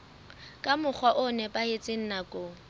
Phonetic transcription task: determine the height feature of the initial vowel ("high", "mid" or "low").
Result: low